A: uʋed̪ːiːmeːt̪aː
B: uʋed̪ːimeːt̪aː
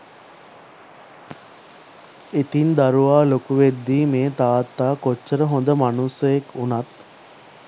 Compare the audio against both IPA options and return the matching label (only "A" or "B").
A